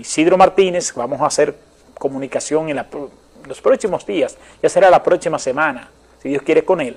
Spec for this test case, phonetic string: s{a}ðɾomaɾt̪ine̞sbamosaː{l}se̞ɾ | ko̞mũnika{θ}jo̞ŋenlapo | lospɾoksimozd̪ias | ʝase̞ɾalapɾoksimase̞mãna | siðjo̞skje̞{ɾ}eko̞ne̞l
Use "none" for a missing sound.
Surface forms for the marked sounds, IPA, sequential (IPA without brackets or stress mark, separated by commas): i, none, s, ɾ